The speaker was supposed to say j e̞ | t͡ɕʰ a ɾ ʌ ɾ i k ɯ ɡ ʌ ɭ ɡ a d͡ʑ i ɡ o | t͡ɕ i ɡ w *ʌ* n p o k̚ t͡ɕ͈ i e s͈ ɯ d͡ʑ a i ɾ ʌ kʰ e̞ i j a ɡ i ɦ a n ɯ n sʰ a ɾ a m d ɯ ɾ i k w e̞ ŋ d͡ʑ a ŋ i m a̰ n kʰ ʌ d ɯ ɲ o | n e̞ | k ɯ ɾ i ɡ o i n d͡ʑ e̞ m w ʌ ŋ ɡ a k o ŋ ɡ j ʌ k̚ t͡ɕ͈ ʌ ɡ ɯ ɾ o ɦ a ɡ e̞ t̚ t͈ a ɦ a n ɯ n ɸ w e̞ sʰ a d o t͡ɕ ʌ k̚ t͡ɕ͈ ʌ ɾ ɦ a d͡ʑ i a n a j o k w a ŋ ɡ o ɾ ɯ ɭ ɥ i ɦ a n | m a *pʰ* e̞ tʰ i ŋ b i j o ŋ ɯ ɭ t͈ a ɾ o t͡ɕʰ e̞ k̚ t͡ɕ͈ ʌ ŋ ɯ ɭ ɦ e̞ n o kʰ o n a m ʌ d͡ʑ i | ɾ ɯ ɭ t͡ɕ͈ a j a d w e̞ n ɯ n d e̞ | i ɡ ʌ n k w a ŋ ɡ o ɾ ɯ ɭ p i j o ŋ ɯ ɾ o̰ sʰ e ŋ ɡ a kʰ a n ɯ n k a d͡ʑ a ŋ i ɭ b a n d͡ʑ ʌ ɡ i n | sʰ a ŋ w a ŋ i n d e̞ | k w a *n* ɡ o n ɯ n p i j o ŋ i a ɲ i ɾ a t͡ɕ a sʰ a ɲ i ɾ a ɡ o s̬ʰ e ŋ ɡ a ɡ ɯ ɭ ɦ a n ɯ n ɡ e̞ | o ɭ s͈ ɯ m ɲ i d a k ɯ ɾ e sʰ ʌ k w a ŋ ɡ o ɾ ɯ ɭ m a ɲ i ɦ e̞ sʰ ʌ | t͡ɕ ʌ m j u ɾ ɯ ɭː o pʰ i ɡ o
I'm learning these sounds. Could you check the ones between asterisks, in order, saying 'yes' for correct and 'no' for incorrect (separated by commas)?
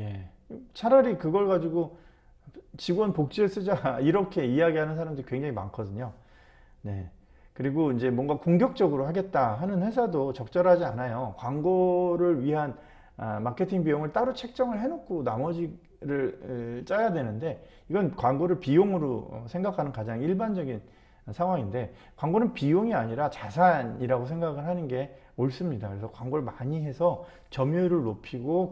yes, no, no